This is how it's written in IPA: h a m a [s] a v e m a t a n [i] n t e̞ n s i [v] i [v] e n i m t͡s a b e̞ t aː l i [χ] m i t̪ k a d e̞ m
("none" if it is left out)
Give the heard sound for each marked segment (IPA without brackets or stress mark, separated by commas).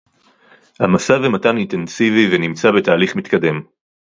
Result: s, i, v, v, χ